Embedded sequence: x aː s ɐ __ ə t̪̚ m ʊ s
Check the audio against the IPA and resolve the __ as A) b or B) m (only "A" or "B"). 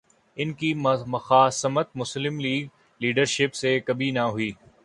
B